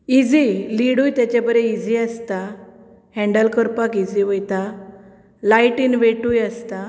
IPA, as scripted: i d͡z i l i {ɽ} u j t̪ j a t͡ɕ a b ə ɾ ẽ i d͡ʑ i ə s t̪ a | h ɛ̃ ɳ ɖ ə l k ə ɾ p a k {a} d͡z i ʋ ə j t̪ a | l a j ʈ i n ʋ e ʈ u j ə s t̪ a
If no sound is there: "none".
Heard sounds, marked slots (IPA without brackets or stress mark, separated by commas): ɽ, i